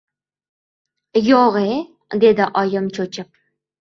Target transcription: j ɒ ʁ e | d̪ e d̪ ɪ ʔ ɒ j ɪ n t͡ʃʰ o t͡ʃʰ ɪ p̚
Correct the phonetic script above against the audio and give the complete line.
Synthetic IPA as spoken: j o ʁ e | d̪ e d̪ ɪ ʔ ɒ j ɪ m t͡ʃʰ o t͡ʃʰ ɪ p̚